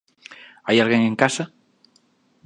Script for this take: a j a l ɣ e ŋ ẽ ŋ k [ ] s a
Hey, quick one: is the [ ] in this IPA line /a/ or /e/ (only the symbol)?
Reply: a